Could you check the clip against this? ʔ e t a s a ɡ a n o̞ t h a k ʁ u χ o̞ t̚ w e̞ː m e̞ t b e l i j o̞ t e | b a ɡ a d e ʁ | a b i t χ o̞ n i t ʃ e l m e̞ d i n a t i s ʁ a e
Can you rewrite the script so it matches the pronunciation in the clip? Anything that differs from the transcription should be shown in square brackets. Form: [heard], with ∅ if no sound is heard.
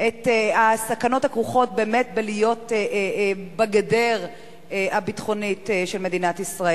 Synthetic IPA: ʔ e t a s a [k] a n o̞ t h a k ʁ u χ o̞ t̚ [b] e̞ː m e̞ t b e l i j o̞ t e | b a ɡ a d e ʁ | a b i t χ o̞ n i t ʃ e l m e̞ d i n a t i s ʁ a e